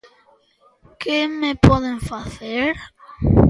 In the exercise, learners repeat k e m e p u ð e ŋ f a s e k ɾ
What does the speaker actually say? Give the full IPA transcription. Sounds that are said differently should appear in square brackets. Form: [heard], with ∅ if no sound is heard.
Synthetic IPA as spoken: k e m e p [ɔ] ð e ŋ f a [θ] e [∅] ɾ